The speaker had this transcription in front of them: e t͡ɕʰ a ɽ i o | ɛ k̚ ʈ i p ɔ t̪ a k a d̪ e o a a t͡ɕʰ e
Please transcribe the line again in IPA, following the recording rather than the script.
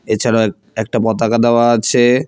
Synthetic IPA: e t͡ɕʰ a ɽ a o | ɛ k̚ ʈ a p ɔ t̪ a k a d̪ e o a a t͡ɕʰ e

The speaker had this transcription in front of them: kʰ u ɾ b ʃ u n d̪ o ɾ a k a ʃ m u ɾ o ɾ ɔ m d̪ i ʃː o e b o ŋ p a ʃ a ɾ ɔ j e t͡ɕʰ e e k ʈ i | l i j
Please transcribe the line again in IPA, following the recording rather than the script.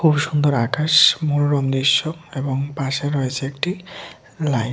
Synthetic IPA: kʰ u b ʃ u n d̪ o ɾ a k a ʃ m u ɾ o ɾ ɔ m d̪ i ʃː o e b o ŋ p a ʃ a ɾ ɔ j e t͡ɕʰ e e k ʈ i | l a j

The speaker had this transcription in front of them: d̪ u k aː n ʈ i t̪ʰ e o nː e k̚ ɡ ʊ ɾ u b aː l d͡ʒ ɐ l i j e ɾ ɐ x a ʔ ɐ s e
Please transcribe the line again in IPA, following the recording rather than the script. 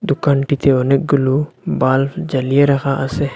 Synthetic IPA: d̪ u k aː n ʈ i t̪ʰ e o n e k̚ ɡ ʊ l u b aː l d͡ʒ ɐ l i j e ɾ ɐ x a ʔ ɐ s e

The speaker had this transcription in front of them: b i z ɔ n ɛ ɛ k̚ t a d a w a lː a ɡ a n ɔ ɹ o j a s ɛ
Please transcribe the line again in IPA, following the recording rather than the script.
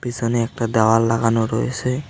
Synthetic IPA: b i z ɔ n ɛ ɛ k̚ t a d a w a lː a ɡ a n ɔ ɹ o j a s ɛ

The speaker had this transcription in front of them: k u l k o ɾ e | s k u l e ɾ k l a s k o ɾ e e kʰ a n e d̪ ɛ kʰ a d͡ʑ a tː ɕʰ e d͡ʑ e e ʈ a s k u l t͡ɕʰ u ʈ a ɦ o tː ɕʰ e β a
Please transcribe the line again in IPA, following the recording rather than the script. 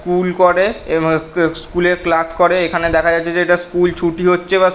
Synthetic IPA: k u l k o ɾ e | s k u l e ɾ k l a s k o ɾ e e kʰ a n e d̪ ɛ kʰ a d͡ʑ a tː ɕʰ e d͡ʑ e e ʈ a s k u l t͡ɕʰ u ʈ i ɦ o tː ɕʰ e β a

